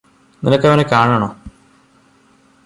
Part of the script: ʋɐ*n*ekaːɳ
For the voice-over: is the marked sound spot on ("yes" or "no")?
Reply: yes